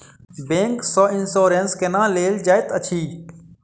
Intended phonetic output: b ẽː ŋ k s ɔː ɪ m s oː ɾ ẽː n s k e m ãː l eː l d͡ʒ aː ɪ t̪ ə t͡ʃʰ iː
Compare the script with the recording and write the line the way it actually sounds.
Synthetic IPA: b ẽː ŋ k s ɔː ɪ n s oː ɾ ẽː n s k e n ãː l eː l d͡ʒ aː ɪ t̪ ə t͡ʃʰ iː